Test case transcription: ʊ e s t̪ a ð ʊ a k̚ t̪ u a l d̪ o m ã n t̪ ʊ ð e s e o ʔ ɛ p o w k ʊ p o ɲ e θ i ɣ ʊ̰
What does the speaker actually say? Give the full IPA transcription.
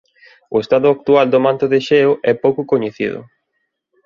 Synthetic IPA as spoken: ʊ e s t̪ a ð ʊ a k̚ t̪ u a l d̪ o m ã n t̪ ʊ ð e ʃ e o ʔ ɛ p o w k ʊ k o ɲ e θ i ð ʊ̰

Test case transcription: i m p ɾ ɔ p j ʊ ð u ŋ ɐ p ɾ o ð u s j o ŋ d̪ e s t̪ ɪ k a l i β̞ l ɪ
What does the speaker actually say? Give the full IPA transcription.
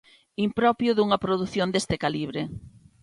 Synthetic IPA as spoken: i m p ɾ ɔ p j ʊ ð u ŋ ɐ p ɾ o ð u θ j o n d̪ e s t̪ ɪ k a l i β̞ ɾ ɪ

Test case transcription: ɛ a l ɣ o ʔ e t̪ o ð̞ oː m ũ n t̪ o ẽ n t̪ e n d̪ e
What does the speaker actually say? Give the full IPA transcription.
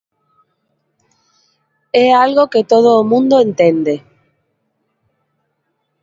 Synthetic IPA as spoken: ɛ a l ɣ o k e t̪ o ð̞ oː m ũ n d̪ o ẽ n t̪ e n d̪ e

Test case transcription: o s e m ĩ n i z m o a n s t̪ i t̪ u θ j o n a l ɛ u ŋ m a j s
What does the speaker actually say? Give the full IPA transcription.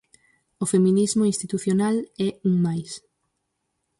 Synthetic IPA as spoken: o f e m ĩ n i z m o i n s t̪ i t̪ u θ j o n a l ɛ u ŋ m a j s

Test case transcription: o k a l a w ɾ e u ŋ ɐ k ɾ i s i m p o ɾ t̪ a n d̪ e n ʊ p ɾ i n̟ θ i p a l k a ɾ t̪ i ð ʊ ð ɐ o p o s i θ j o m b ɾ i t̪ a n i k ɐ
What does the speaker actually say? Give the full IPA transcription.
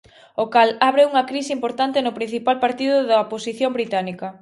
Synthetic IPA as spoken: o k a l a β ɾ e u ŋ ɐ k ɾ i s i m p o ɾ t̪ a n t̪ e n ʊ p ɾ i n̟ θ i p a l p a ɾ t̪ i ð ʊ ð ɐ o p o s i θ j o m b ɾ i t̪ a n i k ɐ

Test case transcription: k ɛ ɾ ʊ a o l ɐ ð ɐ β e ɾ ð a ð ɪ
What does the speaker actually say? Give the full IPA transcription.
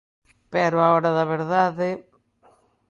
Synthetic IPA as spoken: p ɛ ɾ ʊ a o ɾ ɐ ð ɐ β e ɾ ð a ð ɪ

